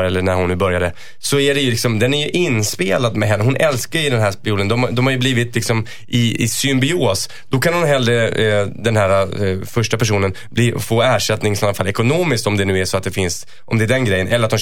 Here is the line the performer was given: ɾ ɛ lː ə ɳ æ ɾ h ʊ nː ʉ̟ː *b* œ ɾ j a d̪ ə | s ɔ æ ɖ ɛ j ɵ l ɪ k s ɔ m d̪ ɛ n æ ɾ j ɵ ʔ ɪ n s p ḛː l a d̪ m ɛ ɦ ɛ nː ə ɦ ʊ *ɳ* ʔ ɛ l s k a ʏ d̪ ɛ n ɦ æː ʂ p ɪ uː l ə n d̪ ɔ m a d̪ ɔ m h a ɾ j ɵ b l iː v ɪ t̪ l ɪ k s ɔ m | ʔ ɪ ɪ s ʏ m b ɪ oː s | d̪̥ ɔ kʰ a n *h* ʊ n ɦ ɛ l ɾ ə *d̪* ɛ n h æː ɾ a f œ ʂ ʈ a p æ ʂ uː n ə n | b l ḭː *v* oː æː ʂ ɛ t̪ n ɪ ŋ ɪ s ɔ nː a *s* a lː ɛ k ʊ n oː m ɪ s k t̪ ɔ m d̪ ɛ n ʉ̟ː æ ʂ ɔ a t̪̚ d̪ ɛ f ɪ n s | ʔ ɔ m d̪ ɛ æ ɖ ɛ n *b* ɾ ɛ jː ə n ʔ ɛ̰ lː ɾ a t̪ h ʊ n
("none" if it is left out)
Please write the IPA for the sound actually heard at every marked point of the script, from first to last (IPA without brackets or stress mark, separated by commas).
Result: b, n, h, d̪, f, f, ɡ